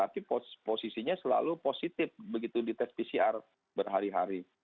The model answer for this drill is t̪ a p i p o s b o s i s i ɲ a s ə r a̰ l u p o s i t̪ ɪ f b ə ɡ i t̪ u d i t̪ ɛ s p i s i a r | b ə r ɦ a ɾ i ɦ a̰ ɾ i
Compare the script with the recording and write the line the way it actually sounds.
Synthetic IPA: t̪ a p i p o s p o s i s i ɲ a s ə l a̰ l u p o s i t̪ ɪ f b ə ɡ i t̪ u d i t̪ ɛ s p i s i a r | b ə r ɦ a ɾ i ɦ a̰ ɾ i